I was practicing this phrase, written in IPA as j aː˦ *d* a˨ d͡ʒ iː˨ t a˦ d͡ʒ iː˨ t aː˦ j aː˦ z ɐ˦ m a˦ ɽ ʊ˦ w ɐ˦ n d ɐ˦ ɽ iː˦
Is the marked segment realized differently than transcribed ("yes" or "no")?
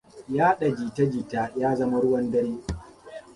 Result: yes